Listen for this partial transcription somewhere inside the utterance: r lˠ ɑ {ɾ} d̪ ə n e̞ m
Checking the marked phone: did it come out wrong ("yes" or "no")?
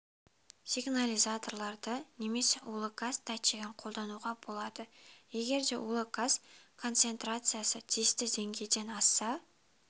no